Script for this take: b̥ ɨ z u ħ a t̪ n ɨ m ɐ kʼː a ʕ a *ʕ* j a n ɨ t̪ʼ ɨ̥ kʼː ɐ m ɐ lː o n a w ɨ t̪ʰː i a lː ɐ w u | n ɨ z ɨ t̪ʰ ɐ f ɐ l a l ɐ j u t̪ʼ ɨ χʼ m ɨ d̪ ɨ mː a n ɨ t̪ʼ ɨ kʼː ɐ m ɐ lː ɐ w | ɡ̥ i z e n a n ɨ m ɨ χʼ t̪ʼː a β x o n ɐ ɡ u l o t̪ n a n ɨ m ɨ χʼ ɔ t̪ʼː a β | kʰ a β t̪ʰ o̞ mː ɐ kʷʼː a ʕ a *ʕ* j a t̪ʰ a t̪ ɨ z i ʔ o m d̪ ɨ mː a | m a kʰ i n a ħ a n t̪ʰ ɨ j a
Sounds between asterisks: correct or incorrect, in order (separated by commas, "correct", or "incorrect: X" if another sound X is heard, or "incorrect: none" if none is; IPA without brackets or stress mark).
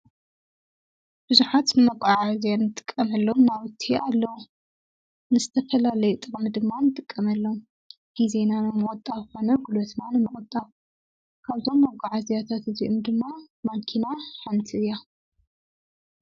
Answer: incorrect: z, incorrect: z